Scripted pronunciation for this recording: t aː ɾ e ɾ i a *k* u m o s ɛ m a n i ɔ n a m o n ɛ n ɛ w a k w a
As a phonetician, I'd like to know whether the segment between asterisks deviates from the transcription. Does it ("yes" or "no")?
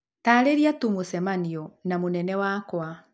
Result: yes